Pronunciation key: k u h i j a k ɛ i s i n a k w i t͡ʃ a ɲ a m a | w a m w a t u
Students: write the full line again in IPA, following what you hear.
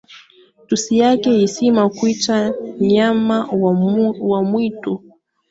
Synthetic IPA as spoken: t u s i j a k ɛ i s i m a k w i t͡ʃ a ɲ a m a | w a m w i t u